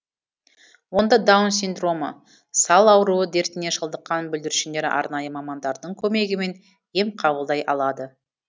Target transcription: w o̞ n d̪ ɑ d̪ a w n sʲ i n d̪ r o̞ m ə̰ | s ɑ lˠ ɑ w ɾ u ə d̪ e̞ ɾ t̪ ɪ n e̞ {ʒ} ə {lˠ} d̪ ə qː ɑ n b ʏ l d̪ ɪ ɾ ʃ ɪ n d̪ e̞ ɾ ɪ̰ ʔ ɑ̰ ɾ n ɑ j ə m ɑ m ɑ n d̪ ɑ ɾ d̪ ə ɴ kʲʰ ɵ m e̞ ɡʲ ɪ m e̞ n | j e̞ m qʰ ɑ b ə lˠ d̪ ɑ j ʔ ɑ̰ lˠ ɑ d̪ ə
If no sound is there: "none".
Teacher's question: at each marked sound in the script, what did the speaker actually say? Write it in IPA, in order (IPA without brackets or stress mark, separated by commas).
ʃ, lˠ